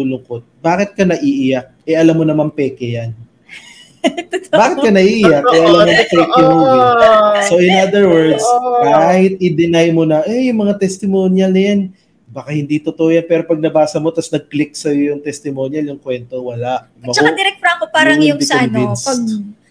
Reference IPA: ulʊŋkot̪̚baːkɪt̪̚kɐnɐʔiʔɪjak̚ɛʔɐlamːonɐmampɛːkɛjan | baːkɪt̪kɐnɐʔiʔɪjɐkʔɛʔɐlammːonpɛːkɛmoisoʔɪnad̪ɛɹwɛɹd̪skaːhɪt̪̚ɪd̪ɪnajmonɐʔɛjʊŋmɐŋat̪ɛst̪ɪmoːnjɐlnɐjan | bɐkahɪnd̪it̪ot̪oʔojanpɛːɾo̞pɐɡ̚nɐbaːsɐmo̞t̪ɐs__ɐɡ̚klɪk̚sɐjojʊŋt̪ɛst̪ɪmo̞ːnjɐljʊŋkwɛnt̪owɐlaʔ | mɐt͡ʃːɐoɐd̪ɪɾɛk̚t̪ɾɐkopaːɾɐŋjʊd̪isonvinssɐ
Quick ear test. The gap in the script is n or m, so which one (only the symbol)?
n